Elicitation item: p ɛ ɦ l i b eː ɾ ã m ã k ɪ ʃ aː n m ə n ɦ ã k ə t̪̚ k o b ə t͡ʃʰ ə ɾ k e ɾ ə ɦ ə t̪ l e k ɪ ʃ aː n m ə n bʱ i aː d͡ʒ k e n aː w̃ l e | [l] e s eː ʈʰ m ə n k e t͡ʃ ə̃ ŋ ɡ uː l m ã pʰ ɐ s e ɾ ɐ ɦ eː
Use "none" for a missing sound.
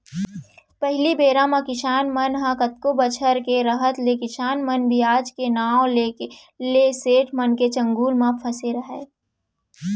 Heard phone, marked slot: l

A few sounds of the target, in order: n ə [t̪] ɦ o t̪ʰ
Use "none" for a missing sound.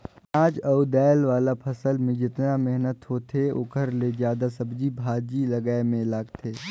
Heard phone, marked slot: t̪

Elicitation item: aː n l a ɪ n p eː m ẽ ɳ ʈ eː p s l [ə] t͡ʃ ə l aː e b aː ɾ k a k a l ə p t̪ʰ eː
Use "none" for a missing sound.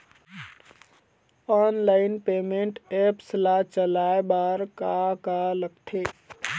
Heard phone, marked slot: a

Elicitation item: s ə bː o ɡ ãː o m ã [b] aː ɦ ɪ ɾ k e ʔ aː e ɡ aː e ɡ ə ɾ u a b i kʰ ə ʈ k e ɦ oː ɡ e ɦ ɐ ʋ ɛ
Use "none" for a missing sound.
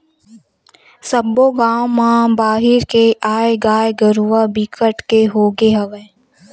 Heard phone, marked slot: b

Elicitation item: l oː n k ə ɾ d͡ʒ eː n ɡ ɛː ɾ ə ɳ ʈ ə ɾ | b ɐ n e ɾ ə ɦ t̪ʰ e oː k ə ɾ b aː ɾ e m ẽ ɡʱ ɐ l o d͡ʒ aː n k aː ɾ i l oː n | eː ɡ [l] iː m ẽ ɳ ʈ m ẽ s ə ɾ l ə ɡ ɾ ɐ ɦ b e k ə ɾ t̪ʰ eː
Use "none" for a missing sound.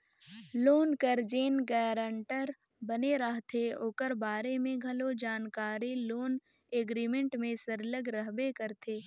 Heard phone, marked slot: ɾ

